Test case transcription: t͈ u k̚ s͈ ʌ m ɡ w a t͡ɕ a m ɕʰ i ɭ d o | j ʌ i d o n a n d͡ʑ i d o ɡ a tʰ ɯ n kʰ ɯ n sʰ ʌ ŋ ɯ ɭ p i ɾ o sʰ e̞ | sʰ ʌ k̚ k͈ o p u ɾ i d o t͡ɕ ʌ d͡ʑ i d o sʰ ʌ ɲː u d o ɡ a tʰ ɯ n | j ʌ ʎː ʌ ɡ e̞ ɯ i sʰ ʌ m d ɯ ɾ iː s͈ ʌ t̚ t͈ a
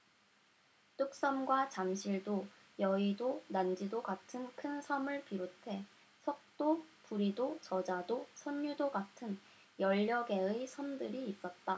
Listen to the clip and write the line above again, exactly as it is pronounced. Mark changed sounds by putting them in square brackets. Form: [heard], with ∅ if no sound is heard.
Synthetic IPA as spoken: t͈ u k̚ s͈ ʌ m ɡ w a t͡ɕ a m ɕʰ i ɭ d o | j ʌ i d o n a n d͡ʑ i d o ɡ a tʰ ɯ n kʰ ɯ n sʰ ʌ [m] ɯ ɭ p i ɾ o [tʰ] e̞ | sʰ ʌ k̚ [t͈] o p u ɾ i d o t͡ɕ ʌ d͡ʑ [a] d o sʰ ʌ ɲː u d o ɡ a tʰ ɯ n | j ʌ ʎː ʌ ɡ e̞ ɯ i sʰ ʌ m d ɯ ɾ iː s͈ ʌ t̚ t͈ a